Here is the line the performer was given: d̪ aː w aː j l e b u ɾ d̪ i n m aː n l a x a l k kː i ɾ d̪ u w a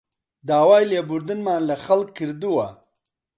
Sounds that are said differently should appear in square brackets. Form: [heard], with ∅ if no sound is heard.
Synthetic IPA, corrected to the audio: d̪ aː w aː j l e b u ɾ d̪ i n m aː n l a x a l k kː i ɾ d̪ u w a